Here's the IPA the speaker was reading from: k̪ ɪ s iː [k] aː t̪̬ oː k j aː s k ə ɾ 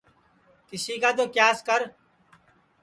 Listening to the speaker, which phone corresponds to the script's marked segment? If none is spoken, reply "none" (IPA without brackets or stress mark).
k